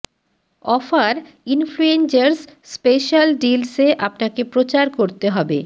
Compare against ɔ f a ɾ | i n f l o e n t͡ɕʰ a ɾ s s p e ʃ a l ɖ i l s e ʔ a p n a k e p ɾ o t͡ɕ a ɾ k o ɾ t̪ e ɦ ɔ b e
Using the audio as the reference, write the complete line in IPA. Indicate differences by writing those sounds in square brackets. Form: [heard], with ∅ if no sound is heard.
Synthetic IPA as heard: ɔ f a ɾ | i n f l [u] e n [t͡ɕ] a ɾ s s p e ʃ a l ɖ i l s e ʔ a p n a k e p ɾ o t͡ɕ a ɾ k o ɾ t̪ e ɦ ɔ b e